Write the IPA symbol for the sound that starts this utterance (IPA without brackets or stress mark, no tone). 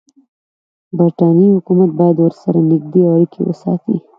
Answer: b